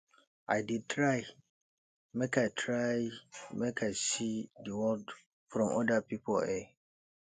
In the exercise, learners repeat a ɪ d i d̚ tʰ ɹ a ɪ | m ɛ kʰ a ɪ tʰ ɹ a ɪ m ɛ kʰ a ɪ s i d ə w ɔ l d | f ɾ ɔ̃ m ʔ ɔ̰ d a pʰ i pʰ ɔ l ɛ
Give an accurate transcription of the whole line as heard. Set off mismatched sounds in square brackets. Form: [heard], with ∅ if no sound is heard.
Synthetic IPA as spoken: a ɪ d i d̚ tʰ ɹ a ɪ | m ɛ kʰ a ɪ tʰ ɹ a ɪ m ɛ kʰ a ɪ s i d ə w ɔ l d | f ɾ ɔ̃ m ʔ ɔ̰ d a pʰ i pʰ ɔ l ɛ